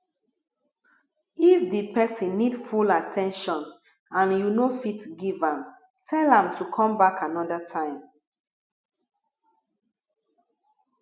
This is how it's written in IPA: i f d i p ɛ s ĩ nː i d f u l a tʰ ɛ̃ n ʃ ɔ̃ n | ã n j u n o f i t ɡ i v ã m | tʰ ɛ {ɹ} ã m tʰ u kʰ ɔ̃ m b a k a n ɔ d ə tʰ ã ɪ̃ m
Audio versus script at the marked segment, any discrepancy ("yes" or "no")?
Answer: yes